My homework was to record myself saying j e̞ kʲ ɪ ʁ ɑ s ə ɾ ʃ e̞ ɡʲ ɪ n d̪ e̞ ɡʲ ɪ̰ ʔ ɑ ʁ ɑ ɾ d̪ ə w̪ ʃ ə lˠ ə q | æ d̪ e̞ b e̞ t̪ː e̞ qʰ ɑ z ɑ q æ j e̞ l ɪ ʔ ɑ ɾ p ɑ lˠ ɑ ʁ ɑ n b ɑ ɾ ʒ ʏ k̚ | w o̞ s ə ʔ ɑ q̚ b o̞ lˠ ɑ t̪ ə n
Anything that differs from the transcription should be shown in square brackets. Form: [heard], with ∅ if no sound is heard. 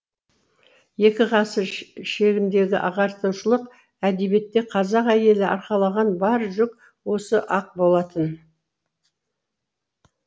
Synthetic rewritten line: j e̞ kʲ ɪ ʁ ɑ s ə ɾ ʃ e̞ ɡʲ ɪ n d̪ e̞ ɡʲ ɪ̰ ʔ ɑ ʁ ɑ ɾ [t̪] ə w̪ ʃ ə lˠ ə q | æ d̪ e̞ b e̞ t̪ː e̞ qʰ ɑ z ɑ q æ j e̞ l ɪ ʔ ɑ ɾ [q] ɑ lˠ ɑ ʁ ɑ n b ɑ ɾ ʒ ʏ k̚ | w o̞ s ə ʔ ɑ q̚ b o̞ lˠ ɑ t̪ ə n